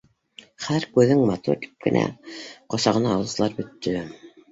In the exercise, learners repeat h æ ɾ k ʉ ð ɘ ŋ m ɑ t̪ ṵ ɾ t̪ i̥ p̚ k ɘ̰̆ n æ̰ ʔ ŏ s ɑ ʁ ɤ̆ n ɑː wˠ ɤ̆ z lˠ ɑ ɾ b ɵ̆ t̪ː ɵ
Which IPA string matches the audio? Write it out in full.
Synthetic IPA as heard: χ æ ɾ k ʉ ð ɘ ŋ m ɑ t̪ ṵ ɾ t̪ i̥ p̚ k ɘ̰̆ n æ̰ q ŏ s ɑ ʁ ɤ̆ n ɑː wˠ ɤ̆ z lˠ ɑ ɾ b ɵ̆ t̪ː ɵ